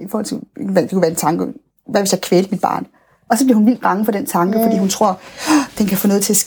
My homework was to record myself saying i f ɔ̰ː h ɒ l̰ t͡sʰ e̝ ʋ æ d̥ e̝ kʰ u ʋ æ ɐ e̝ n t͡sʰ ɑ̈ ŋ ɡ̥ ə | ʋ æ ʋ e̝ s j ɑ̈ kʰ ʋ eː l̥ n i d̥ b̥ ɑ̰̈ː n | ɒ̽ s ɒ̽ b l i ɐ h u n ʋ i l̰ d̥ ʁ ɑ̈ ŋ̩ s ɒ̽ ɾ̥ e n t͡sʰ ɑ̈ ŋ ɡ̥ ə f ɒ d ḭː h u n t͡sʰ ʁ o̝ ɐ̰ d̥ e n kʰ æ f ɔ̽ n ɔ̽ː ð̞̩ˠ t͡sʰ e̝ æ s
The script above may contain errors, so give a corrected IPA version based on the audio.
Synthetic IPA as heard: i f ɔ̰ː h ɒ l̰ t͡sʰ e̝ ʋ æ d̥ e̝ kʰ u ʋ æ ɐ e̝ n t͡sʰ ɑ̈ ŋ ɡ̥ ə | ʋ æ ʋ e̝ s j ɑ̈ kʰ ʋ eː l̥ m i d̥ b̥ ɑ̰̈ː n | ɒ̽ s ɒ̽ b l i ɐ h u n ʋ i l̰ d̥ ʁ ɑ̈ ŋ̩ f ɒ̽ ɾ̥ e n t͡sʰ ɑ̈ ŋ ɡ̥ ə f ɒ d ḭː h u n t͡sʰ ʁ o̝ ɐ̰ d̥ e n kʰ æ f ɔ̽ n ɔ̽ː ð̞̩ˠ t͡sʰ e̝ æ s